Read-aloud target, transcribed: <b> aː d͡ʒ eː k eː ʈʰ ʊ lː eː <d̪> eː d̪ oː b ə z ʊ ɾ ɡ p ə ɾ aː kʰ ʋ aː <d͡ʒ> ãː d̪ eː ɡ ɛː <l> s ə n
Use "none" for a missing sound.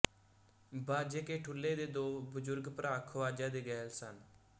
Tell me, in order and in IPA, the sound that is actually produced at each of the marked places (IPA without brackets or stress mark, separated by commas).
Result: b, d̪, d͡ʒ, l